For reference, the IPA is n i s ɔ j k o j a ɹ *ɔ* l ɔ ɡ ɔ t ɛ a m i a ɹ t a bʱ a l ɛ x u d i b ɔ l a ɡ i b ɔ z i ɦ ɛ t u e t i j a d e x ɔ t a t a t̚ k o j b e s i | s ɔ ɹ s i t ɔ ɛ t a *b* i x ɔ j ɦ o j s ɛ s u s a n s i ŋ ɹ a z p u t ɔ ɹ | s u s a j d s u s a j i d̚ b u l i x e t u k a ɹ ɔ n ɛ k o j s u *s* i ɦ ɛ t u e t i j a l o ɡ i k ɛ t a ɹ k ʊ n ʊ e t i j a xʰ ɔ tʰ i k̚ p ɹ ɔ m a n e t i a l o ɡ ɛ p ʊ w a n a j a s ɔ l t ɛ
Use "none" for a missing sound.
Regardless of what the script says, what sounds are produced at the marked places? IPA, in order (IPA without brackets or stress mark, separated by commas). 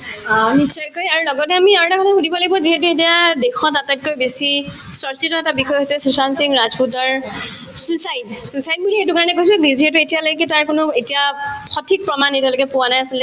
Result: u, b, z